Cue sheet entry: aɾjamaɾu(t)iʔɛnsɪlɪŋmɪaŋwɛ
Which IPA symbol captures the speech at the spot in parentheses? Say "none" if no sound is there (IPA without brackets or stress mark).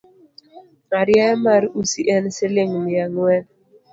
s